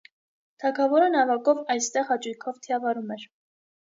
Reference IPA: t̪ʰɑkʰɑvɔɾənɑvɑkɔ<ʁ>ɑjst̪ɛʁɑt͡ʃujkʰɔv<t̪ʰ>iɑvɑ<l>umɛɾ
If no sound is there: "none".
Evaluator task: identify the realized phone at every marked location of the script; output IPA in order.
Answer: v, t̪ʰ, ɾ

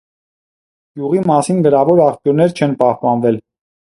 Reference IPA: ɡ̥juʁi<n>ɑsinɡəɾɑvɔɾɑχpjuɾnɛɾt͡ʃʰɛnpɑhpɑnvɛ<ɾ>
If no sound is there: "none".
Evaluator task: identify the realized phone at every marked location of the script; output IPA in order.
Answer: m, l

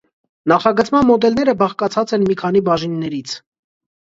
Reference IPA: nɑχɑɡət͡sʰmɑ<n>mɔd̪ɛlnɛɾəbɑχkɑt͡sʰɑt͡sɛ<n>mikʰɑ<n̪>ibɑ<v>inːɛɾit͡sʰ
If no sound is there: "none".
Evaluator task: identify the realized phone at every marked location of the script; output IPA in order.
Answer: n, n, n̪, ʒ

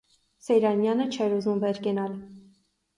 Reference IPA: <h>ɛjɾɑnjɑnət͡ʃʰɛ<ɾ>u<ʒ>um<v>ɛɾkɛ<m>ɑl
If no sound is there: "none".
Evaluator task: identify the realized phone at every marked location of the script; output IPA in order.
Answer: s, ɾ, z, v, n

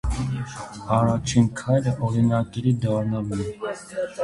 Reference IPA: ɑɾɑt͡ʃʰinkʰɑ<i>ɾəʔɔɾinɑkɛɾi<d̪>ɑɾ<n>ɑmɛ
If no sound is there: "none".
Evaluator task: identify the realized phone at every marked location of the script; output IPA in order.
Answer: j, d̪, n

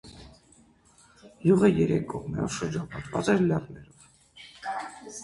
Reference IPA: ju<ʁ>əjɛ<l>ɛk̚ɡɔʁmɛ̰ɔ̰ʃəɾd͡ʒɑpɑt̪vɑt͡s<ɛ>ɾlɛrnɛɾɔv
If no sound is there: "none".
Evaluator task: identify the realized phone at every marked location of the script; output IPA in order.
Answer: ʁ, ɾ, ɛ

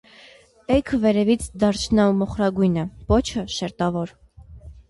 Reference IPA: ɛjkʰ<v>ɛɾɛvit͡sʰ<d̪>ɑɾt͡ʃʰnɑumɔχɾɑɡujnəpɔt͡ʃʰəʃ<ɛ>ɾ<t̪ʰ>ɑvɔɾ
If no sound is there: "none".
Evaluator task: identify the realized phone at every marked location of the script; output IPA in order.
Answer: v, d̪, ɛ, t̪

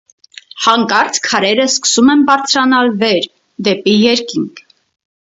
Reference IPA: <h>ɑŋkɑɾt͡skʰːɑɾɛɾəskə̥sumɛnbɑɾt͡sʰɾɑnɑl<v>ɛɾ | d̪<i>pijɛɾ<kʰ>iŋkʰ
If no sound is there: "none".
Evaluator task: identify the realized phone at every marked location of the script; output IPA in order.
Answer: h, v, ɛ, k

